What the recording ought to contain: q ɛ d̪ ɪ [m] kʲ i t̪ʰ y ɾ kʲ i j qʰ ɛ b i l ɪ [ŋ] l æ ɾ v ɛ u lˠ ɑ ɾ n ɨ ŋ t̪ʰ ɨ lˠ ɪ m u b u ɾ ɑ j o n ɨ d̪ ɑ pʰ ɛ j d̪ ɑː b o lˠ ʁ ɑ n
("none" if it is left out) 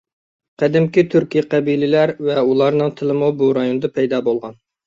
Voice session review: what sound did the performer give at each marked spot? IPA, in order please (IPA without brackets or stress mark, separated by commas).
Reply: m, none